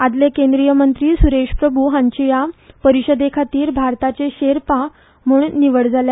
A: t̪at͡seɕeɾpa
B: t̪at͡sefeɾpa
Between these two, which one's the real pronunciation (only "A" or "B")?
A